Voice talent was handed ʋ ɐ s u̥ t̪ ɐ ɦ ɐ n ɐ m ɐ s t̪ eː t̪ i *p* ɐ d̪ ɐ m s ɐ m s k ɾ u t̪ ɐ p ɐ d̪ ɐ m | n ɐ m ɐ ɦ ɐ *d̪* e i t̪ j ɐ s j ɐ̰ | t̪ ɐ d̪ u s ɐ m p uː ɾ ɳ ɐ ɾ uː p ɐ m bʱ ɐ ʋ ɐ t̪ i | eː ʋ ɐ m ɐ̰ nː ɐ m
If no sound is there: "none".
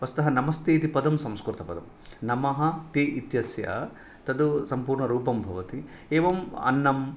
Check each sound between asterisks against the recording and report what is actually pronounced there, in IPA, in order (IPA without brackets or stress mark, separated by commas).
p, t̪